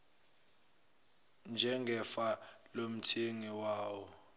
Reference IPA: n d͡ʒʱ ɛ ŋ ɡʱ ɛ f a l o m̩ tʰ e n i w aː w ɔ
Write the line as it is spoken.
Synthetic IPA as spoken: n d͡ʒʱ ɛ ŋ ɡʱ ɛ f a l o m̩ tʰ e ŋ i w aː w ɔ